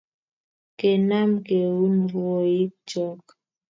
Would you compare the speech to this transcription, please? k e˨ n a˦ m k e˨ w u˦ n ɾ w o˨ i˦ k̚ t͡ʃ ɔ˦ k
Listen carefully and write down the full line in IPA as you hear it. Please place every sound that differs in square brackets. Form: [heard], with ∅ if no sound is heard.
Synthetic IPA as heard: k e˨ n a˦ m k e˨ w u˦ n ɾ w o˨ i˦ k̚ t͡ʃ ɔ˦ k